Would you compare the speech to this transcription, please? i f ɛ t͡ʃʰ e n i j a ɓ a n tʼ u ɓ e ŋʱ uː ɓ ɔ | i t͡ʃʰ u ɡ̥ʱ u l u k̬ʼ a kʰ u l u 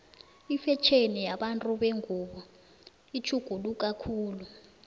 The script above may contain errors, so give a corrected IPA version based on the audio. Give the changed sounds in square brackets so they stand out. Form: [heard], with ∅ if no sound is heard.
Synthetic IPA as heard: i f ɛ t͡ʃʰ e n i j a ɓ a n tʼ u ɓ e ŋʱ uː ɓ ɔ | i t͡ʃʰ u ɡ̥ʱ u l u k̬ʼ a kʰ [uː] l u